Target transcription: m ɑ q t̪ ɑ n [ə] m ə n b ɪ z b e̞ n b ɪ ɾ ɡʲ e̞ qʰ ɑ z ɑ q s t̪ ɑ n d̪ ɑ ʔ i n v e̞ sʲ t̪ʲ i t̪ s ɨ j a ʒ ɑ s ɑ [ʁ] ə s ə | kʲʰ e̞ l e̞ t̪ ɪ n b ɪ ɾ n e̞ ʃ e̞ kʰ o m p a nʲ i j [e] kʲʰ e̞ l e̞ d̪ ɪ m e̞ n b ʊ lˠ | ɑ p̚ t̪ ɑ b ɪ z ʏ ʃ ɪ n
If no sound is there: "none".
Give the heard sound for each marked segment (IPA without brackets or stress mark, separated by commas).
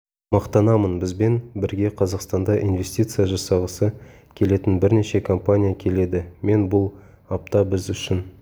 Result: ɑ, ʁ, a